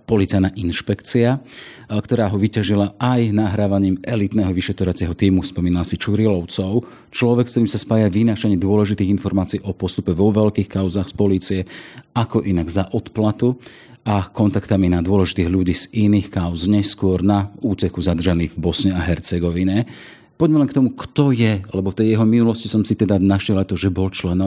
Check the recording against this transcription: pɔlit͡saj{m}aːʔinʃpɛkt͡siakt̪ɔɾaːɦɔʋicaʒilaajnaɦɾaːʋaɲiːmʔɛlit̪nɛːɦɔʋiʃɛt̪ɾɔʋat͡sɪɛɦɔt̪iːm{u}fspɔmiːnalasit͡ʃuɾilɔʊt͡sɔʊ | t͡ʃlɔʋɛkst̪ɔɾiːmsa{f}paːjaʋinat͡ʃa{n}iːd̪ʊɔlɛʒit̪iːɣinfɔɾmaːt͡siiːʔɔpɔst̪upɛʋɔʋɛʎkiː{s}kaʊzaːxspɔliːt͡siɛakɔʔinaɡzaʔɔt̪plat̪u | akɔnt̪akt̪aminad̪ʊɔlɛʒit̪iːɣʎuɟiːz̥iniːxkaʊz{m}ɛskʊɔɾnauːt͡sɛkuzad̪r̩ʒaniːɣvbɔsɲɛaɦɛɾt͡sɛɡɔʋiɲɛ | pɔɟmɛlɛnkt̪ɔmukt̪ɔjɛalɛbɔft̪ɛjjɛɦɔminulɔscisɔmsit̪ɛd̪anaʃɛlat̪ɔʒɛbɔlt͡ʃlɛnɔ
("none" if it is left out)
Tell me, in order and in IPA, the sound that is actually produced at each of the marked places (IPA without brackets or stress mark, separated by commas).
n, u, s, ɲ, x, ɲ